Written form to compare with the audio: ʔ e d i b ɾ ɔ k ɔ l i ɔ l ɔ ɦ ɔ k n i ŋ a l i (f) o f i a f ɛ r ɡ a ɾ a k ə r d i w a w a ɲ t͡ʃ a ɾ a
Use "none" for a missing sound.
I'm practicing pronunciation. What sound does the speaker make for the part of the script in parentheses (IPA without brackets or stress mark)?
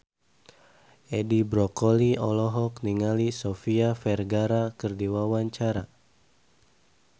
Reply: s